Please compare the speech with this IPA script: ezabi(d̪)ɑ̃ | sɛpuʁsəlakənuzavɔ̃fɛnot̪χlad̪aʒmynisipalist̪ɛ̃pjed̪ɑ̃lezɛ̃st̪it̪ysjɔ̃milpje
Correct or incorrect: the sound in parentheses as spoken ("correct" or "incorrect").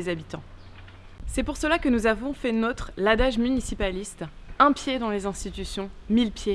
incorrect